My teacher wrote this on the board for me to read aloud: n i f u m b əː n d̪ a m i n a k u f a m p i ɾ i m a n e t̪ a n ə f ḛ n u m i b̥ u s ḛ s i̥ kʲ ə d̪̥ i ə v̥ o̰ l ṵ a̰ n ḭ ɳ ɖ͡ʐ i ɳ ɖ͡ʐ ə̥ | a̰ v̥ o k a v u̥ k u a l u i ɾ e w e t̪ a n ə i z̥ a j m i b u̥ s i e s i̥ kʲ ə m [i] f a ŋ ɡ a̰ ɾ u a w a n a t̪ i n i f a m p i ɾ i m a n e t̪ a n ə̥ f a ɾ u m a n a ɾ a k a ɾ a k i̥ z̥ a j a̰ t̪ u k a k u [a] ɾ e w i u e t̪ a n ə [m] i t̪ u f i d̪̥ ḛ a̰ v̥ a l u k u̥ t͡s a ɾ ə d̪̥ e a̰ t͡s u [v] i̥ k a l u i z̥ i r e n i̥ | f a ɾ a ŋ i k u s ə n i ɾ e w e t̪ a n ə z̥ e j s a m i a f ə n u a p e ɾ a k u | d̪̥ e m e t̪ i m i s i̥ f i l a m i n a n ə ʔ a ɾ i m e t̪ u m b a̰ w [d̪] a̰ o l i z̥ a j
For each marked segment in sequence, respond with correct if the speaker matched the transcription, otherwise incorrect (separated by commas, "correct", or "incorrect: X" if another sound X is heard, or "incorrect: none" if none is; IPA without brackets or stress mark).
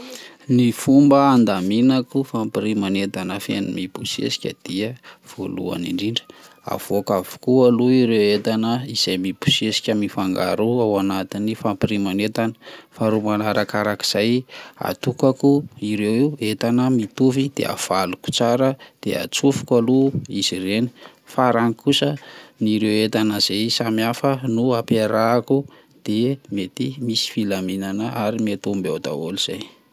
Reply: correct, incorrect: i, correct, incorrect: f, correct